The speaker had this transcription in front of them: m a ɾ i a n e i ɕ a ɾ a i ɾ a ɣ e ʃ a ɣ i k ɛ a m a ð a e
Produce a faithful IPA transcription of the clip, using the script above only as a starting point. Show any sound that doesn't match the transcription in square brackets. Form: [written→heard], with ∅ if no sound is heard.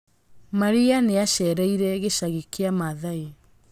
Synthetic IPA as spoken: m a ɾ i a n e [i→a] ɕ [a→ɛ] ɾ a i ɾ [a→ɛ] ɣ e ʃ a ɣ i k [ɛ→e] a m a ð a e